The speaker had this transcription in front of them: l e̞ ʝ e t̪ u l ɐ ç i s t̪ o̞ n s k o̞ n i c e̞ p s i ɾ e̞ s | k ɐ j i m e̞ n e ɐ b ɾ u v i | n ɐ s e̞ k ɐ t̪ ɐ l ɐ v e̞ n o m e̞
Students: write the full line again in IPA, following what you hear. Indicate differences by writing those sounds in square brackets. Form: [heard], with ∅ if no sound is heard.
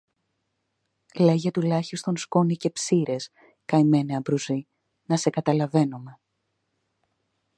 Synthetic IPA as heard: l e̞ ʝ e t̪ u l ɐ ç i s t̪ o̞ n s k o̞ n i c e̞ p s i ɾ e̞ s | k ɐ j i m e̞ n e ɐ b ɾ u [z] i | n ɐ s e̞ k ɐ t̪ ɐ l ɐ v e̞ n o m e̞